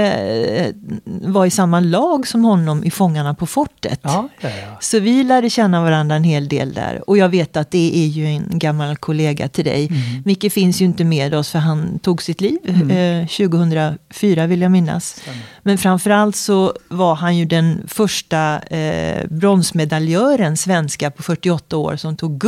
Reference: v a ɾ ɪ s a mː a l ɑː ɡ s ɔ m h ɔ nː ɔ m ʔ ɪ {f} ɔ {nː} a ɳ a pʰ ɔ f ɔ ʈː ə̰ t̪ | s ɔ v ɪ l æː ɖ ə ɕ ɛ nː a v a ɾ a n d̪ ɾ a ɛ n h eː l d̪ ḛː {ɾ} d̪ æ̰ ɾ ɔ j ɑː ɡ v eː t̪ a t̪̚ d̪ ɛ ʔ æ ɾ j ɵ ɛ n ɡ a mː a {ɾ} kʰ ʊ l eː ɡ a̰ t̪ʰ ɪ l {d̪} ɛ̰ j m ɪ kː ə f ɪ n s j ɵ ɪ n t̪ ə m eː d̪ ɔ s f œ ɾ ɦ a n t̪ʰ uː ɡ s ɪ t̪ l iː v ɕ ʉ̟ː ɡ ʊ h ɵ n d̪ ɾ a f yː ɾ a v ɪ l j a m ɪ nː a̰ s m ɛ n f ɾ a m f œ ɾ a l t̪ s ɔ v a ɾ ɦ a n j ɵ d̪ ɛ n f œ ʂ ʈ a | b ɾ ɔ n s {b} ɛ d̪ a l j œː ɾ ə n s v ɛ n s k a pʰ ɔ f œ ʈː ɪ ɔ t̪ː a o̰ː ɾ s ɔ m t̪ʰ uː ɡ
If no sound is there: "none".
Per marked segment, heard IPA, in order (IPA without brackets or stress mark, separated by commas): f, ŋː, l, l, d̪, m